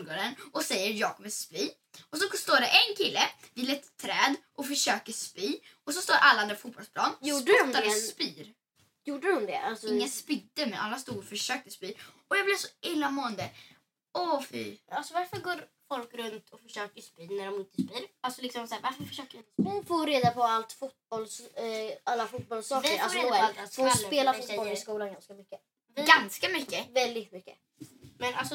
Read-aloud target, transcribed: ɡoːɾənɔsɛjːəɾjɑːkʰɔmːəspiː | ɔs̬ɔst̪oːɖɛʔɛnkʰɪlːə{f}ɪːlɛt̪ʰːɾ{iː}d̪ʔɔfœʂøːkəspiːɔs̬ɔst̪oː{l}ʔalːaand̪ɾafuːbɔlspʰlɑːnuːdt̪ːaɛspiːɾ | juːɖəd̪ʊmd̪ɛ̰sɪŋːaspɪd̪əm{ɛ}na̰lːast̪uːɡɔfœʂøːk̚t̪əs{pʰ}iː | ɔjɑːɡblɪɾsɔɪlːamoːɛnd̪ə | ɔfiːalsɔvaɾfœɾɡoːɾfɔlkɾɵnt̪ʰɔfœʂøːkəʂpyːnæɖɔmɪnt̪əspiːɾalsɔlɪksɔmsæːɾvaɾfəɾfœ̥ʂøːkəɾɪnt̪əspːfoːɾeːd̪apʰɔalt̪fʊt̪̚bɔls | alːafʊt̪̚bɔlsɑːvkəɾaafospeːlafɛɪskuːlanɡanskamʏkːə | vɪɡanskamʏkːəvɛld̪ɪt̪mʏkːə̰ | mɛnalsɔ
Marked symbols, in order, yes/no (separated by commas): no, no, no, yes, no